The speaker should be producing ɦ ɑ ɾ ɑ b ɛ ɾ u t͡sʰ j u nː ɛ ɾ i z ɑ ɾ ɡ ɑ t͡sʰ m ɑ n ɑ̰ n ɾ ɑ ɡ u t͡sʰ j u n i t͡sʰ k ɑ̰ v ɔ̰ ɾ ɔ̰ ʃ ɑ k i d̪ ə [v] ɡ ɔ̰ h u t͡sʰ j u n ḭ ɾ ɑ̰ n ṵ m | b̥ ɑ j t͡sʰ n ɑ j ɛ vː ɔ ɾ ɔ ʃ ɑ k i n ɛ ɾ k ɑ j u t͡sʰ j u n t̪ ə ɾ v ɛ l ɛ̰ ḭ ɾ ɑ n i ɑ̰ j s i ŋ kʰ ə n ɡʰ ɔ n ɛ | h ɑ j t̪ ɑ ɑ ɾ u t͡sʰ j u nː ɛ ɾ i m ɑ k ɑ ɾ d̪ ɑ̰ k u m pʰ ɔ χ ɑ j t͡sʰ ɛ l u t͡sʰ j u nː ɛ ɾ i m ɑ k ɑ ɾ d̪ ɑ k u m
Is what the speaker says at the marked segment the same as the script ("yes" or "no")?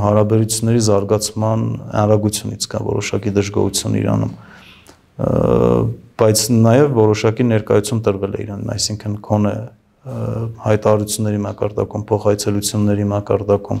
no